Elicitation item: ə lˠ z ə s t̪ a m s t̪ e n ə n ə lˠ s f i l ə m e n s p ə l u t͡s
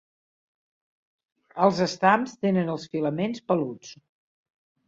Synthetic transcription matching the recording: ə lˠ z ə s t̪ a m s t̪ e n ə n ə lˠ s f i l ə m e n s p ə l u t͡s